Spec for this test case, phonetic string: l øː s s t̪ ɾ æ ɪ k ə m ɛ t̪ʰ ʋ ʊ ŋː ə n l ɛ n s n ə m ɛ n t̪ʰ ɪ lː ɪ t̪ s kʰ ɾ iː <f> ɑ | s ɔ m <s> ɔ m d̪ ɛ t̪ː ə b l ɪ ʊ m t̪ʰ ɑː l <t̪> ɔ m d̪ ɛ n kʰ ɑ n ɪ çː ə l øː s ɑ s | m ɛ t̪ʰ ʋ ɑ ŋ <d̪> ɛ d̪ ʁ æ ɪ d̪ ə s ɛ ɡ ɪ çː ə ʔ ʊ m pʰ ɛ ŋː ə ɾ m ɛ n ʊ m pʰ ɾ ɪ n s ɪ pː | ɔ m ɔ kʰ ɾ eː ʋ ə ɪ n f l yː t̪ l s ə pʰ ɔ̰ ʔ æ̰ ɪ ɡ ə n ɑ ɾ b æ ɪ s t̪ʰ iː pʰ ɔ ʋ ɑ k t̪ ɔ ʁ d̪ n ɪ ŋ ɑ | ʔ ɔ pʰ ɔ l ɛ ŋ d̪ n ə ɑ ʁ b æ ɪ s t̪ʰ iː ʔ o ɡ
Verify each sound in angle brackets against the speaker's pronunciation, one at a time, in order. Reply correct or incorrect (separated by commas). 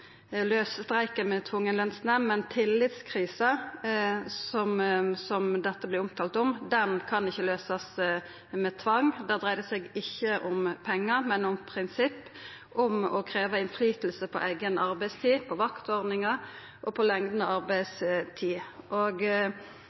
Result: incorrect, correct, correct, correct